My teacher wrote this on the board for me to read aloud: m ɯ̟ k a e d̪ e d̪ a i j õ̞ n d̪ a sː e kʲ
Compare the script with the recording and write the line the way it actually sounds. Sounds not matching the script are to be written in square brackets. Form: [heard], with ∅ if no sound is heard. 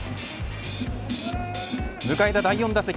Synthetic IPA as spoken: m ɯ̟ k a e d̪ [a] d̪ a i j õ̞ n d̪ a [s] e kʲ

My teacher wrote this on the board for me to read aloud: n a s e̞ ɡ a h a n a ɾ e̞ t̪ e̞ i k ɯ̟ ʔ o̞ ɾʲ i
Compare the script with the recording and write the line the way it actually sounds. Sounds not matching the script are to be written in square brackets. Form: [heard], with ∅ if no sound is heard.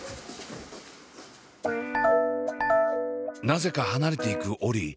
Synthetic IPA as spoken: n a [z] e̞ [k] a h a n a ɾ e̞ t̪ e̞ i k ɯ̟ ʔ o̞ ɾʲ i

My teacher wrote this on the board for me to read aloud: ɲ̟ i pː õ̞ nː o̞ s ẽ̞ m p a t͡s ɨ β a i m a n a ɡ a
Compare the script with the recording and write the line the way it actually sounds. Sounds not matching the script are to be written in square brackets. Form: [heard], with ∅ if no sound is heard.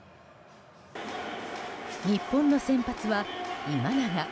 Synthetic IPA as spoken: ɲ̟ i pː õ̞ nː o̞ s ẽ̞ m p a t͡s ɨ β a i m a n a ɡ a

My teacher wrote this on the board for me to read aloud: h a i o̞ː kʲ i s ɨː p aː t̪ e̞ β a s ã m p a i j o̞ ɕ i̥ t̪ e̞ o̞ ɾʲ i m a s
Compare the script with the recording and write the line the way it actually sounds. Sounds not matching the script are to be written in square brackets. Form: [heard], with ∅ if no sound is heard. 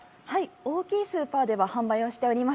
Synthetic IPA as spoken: h a i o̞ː kʲ [iː] s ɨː p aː [d̪] e̞ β a [h] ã m [b] a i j o̞ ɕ i̥ t̪ e̞ o̞ ɾʲ i m a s

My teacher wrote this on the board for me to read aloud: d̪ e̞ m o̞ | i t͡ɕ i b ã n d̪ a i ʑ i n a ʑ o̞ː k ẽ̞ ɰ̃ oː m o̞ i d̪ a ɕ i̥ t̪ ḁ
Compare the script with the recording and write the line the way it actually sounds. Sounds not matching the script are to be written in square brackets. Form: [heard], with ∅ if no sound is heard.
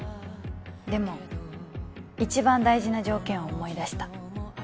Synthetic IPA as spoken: d̪ e̞ m o̞ | i t͡ɕ i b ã n d̪ a i ʑ i n a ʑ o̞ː k ẽ̞ ɰ̃ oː m o̞ i d̪ a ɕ i̥ t̪ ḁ

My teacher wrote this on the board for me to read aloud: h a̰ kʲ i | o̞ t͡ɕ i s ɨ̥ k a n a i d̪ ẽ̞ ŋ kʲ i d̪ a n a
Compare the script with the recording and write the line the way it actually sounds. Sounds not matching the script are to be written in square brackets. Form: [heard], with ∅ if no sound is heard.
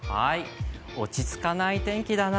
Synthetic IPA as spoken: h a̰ [∅] i | o̞ t͡ɕ i [t͡s] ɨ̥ k a n a i [t̪] ẽ̞ ŋ kʲ i d̪ a n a

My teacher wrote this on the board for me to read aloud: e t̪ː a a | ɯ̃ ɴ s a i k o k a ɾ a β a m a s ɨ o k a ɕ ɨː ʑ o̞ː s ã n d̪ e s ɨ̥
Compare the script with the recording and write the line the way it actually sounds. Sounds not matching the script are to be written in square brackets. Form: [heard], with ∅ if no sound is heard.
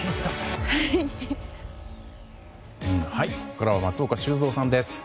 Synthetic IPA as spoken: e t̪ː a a | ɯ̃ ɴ [h] a i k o k a ɾ a β a m a [t͡s] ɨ o k a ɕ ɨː [z] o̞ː s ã n d̪ e s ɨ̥

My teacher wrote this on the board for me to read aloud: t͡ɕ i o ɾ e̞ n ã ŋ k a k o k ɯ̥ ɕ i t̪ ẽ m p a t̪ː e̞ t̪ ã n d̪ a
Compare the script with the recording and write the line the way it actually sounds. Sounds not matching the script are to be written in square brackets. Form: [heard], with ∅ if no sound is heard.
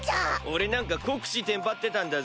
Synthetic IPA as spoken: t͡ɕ [a] o ɾ e̞ n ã ŋ k a k o k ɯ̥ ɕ i t̪ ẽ m p a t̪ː e̞ t̪ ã n d̪ a

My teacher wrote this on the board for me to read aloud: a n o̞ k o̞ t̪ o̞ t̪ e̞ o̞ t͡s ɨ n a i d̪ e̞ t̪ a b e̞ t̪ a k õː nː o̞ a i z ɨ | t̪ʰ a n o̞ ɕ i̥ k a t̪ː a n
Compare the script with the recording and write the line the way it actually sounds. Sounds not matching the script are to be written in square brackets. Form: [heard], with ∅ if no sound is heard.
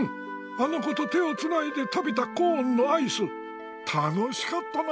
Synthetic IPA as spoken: a n o̞ k o̞ t̪ o̞ t̪ e̞ o̞ t͡s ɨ n a i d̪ e̞ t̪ a b e̞ t̪ a k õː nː o̞ a i [s] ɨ | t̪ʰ a n o̞ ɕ i̥ k a t̪ː a n

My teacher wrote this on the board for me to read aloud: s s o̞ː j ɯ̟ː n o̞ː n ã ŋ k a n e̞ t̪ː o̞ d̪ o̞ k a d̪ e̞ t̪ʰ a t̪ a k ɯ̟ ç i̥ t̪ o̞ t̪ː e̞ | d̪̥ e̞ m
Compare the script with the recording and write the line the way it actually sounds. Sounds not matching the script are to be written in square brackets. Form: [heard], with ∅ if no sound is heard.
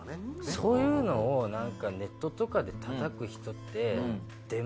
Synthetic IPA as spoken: s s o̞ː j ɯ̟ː n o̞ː n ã ŋ k a n e̞ t̪ː o̞ [t̪] o̞ k a d̪ e̞ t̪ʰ a t̪ a k ɯ̟ ç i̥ t̪ o̞ t̪ː e̞ | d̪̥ e̞ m

